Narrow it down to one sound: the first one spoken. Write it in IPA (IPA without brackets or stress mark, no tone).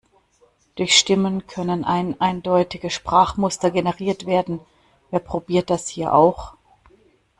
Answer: d̥